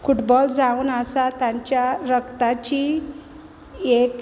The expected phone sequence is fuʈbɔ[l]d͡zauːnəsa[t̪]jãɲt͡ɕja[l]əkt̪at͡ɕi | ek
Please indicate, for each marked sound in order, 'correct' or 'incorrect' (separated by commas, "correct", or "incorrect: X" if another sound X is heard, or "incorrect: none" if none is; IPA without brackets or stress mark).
correct, correct, incorrect: ɾ